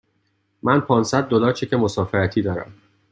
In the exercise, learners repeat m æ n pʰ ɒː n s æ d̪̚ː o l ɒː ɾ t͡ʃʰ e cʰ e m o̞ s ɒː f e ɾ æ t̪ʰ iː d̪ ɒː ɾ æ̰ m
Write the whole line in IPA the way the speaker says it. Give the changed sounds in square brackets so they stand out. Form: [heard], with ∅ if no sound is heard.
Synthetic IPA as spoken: m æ n pʰ ɒː n s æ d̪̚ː o l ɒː ɾ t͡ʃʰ e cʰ e m o̞ s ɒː f e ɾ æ t̪ʰ iː d̪ ɒː ɾ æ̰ m